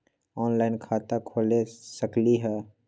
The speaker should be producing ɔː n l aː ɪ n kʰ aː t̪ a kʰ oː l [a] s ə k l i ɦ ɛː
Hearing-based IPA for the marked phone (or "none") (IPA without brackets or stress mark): e